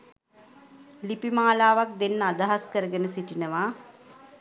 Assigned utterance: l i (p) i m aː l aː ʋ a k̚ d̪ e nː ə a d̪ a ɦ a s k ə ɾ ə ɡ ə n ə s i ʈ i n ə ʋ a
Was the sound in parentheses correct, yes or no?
yes